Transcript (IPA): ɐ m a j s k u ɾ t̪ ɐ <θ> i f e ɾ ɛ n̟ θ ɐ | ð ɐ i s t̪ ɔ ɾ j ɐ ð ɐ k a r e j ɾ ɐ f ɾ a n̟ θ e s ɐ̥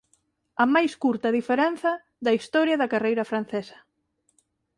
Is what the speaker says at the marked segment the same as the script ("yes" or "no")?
no